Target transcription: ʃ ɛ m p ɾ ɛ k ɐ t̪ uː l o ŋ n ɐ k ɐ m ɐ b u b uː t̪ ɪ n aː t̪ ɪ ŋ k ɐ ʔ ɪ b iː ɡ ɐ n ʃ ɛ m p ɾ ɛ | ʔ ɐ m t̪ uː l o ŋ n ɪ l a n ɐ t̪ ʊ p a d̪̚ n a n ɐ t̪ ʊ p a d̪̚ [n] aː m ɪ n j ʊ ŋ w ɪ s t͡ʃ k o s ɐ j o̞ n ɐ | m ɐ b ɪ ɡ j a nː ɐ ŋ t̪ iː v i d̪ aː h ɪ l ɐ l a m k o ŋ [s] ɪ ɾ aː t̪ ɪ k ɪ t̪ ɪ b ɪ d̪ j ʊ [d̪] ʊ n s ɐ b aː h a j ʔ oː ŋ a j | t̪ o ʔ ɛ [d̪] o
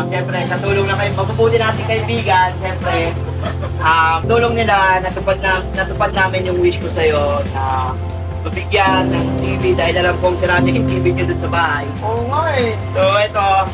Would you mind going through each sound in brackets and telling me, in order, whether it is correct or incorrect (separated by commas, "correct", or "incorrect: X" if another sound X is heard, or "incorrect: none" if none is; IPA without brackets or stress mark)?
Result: correct, correct, correct, incorrect: t̪